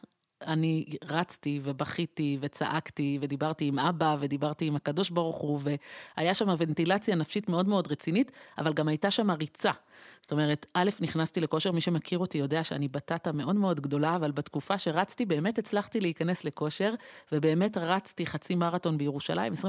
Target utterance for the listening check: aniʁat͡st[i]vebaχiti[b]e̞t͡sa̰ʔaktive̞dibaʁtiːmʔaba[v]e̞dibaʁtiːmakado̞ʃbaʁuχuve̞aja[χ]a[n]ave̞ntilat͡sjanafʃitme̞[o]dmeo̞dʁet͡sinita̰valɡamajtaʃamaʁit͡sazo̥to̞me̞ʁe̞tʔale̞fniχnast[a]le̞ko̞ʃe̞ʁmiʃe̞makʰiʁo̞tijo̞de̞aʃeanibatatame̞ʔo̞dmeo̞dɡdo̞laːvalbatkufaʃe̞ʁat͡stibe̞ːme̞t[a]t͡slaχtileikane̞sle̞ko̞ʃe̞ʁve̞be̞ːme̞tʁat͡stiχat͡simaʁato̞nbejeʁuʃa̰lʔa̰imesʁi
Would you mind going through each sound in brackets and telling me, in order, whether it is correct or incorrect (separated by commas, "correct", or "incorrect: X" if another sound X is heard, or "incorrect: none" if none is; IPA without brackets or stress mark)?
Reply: correct, incorrect: v, correct, incorrect: ʃ, incorrect: m, correct, incorrect: i, incorrect: e